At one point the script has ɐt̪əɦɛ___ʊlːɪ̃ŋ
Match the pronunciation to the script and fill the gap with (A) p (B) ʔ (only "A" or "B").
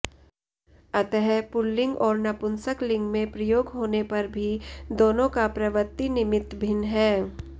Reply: A